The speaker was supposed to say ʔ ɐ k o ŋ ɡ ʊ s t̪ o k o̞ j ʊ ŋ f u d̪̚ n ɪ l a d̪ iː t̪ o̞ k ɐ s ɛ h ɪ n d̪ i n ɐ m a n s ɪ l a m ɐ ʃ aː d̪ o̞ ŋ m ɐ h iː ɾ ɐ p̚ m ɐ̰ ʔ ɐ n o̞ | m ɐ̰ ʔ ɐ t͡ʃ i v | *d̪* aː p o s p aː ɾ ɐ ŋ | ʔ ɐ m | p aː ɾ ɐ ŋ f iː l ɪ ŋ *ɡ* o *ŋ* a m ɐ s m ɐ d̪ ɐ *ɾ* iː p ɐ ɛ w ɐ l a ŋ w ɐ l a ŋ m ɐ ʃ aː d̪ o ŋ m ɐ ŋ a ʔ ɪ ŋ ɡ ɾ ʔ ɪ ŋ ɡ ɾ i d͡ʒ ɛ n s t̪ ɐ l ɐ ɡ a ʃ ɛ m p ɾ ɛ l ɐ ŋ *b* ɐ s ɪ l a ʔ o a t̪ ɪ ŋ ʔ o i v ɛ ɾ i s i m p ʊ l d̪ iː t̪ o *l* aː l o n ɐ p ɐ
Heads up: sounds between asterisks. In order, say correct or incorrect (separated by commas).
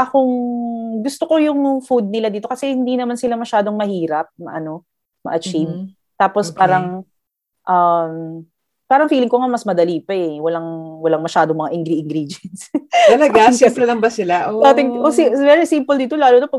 incorrect, incorrect, correct, incorrect, correct, correct